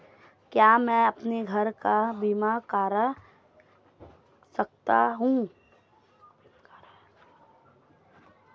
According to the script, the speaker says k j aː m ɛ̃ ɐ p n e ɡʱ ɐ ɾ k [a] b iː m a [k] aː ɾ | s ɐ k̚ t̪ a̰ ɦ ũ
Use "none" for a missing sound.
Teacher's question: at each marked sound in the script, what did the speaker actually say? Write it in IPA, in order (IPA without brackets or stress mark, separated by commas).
a, k